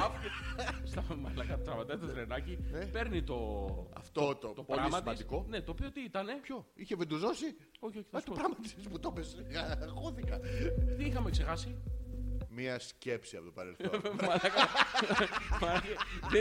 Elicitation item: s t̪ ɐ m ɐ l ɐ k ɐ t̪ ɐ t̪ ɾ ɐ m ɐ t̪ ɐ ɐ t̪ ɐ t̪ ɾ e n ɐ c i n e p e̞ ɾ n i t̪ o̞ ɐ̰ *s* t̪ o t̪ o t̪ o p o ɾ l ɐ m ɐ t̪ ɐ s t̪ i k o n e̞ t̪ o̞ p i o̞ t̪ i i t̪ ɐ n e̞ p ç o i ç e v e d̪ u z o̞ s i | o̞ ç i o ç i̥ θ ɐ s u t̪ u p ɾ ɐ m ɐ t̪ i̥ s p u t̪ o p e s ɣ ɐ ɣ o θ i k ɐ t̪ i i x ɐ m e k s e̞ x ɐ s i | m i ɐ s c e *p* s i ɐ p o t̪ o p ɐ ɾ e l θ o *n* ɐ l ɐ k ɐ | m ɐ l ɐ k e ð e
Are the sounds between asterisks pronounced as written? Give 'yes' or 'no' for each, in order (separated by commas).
no, yes, no